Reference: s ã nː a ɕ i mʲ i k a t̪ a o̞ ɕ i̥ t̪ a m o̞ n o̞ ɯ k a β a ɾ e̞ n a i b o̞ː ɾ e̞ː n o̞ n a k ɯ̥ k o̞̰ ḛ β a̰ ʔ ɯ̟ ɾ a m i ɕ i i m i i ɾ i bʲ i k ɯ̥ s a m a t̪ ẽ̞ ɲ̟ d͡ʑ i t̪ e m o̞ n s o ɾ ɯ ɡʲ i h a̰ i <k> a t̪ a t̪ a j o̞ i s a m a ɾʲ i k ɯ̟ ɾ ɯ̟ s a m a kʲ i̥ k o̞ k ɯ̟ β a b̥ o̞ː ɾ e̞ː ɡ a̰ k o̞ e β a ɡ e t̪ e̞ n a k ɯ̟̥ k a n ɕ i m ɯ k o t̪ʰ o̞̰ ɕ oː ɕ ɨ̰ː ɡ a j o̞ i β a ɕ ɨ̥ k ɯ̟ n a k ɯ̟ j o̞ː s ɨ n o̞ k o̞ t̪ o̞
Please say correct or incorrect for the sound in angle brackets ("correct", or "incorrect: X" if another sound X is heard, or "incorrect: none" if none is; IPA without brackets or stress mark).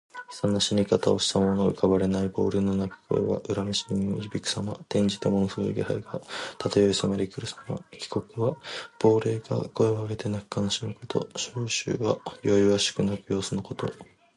incorrect: ɡ